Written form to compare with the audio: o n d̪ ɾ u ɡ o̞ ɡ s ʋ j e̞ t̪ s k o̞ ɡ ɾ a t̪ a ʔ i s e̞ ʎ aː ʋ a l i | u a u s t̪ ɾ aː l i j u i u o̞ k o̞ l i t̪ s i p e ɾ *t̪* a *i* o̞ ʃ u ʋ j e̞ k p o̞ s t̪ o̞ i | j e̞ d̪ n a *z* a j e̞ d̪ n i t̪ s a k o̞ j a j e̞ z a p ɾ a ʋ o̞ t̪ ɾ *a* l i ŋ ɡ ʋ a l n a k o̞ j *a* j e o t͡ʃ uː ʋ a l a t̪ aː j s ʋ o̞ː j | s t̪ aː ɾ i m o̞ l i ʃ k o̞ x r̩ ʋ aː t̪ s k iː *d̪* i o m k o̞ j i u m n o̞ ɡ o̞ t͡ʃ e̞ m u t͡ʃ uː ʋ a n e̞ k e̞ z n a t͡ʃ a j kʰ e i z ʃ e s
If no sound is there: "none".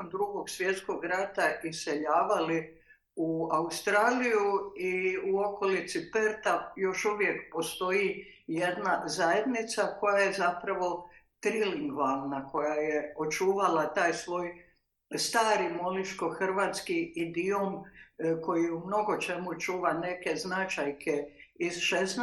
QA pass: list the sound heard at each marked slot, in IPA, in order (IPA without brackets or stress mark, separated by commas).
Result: t̪, j, z, i, a, d̪